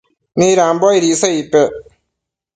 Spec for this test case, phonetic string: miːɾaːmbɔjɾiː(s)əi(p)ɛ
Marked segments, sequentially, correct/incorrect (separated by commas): correct, correct